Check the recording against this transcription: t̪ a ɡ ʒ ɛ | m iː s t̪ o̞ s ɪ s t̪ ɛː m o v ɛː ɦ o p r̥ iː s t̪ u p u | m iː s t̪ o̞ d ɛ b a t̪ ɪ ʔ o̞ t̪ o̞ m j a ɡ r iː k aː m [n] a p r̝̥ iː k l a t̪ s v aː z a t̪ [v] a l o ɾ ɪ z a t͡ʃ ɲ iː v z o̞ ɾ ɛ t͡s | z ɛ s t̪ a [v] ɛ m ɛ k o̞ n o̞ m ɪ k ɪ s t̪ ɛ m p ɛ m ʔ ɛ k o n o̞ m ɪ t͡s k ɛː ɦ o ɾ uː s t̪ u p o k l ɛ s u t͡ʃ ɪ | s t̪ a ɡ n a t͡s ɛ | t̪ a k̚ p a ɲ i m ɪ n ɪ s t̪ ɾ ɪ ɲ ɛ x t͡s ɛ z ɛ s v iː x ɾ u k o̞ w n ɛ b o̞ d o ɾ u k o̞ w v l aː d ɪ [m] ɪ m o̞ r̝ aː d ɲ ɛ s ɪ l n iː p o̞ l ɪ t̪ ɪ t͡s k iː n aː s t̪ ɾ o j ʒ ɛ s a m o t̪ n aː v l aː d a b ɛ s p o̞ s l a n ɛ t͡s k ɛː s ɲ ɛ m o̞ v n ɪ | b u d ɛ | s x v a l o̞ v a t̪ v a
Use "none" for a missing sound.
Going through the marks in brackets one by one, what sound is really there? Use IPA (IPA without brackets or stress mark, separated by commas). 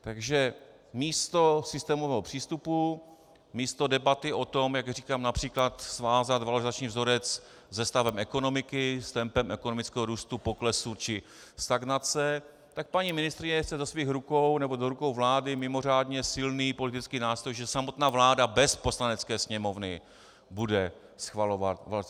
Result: n, v, v, m